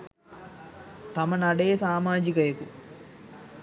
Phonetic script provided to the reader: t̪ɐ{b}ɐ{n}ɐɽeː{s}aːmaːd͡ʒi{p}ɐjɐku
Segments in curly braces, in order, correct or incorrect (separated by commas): incorrect, correct, correct, incorrect